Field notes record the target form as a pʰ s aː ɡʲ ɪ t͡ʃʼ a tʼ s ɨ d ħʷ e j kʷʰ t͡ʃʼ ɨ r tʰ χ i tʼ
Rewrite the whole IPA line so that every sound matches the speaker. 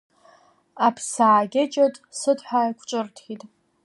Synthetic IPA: a pʰ s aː ɡʲ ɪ t͡ʃʼ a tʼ s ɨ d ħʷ a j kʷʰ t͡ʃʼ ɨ r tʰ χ i tʼ